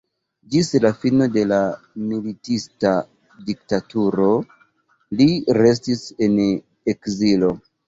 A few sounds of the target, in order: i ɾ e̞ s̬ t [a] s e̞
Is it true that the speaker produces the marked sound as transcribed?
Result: no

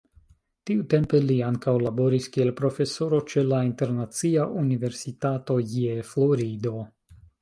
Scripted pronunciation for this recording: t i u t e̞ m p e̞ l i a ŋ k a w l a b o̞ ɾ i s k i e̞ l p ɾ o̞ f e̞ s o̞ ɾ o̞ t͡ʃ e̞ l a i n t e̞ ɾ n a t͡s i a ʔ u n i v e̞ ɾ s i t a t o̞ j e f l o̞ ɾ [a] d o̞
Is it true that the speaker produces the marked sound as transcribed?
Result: no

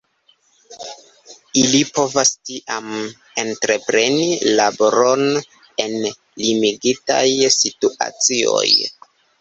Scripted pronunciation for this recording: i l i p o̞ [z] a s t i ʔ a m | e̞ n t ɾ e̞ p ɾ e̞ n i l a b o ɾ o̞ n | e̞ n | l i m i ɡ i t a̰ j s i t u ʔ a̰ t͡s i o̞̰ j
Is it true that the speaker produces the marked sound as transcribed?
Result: no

